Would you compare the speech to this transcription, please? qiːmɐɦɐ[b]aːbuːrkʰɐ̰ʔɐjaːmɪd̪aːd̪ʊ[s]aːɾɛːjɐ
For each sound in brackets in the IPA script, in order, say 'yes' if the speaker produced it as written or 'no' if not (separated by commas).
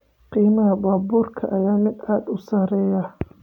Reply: yes, yes